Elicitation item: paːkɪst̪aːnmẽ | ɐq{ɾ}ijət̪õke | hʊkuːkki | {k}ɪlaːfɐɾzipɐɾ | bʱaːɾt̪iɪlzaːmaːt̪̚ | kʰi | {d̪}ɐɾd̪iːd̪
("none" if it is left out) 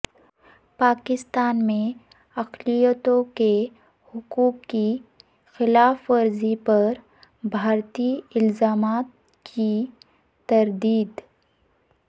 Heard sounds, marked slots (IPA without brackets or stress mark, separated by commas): l, x, t̪